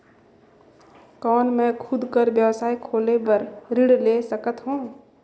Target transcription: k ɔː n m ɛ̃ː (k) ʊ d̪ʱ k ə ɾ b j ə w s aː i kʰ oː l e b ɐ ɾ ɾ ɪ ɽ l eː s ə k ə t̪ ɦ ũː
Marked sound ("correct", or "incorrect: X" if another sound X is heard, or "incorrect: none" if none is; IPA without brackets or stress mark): incorrect: kʰ